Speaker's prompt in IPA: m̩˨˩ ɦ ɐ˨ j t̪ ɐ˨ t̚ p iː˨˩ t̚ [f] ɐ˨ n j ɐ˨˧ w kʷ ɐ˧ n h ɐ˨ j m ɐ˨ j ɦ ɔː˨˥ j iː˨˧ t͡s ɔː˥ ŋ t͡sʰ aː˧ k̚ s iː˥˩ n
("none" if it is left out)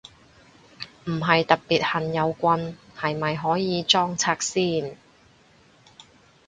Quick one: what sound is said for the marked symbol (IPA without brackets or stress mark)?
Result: h